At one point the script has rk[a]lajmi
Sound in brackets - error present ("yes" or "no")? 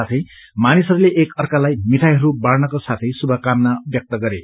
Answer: no